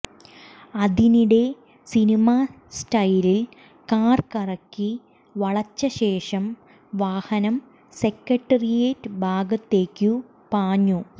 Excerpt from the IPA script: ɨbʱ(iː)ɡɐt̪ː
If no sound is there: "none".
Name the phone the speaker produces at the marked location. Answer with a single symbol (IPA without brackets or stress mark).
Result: aː